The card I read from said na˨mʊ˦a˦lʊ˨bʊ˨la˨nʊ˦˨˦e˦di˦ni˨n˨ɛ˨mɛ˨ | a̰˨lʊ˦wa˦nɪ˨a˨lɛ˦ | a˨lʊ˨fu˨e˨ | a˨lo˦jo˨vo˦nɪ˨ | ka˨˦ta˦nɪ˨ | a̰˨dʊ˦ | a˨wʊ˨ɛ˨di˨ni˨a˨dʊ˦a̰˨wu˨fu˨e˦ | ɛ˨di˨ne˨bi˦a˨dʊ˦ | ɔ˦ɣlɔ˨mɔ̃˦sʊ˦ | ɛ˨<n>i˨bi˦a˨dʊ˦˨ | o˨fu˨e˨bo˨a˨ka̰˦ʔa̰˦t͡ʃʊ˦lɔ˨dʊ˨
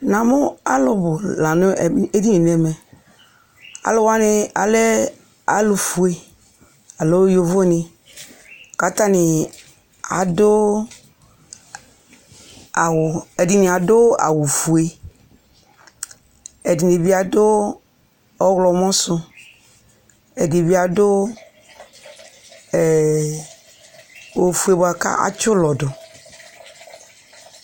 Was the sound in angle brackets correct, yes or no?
no